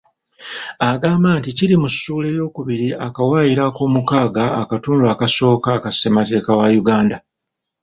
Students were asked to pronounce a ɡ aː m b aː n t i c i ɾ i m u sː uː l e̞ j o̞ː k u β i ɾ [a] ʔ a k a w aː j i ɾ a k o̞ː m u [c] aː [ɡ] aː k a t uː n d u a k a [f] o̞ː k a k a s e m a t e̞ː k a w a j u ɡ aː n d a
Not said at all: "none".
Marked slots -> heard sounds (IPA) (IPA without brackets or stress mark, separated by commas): i, k, ɡ, s